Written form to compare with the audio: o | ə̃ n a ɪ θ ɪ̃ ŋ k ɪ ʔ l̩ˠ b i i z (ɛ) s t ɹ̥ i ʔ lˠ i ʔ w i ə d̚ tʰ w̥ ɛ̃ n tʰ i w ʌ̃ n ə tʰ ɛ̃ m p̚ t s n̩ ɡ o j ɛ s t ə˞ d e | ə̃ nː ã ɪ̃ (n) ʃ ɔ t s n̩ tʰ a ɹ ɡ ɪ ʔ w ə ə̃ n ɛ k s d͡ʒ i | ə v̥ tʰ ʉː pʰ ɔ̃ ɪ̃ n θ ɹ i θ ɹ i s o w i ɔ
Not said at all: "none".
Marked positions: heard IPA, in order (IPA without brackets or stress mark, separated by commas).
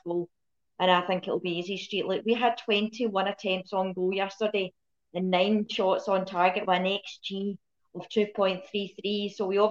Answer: i, n